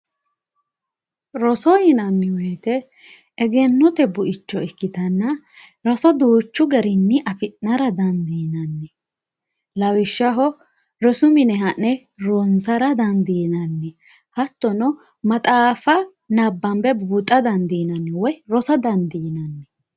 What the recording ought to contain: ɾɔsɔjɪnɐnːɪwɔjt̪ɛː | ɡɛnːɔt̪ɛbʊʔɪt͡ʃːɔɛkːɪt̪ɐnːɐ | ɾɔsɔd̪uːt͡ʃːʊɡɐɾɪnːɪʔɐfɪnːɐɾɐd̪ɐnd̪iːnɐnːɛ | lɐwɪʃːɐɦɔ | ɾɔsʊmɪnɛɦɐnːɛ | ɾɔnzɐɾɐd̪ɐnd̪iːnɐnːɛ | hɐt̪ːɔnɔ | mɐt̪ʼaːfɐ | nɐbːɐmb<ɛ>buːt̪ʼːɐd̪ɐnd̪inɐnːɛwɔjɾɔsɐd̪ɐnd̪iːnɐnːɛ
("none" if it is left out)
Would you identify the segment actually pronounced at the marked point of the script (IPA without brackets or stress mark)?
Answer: ɛ